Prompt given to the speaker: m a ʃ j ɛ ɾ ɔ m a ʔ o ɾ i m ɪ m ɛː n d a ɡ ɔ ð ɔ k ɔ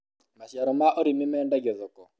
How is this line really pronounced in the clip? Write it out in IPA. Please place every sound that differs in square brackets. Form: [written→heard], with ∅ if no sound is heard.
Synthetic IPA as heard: m a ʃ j [ɛ→a] ɾ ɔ m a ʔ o ɾ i m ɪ m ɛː n d a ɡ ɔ ð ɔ k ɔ